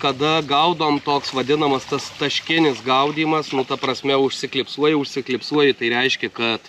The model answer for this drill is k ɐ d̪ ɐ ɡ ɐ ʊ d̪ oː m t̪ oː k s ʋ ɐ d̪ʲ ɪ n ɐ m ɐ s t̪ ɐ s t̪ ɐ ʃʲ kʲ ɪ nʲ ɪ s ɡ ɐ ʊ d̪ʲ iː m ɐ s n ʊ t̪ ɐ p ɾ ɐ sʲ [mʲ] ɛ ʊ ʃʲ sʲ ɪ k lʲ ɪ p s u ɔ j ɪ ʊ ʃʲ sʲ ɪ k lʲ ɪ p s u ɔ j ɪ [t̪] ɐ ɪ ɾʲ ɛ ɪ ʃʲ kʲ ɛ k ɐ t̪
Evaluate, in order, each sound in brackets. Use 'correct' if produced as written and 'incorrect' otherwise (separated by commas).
correct, correct